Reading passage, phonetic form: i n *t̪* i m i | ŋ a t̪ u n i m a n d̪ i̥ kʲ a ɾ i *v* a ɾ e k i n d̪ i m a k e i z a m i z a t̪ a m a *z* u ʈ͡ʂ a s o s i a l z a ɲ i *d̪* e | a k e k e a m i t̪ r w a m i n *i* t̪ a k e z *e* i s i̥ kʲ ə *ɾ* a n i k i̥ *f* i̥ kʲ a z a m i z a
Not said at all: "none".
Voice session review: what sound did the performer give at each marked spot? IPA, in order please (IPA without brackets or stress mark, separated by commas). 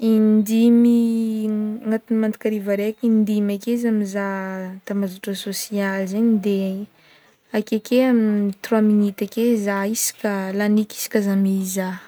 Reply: d̪, v, z, d̪, i, a, l, s